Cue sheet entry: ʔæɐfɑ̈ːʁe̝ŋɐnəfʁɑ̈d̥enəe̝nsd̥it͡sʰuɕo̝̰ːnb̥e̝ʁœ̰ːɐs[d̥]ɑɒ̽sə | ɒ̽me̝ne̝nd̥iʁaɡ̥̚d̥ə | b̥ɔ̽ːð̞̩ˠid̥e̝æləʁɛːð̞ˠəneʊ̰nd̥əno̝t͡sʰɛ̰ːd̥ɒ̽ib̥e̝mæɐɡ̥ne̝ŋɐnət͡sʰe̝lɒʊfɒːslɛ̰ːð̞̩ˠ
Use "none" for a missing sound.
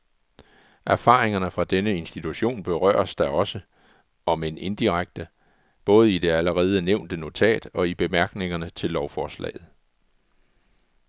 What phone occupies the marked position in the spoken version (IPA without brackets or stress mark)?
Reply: d̥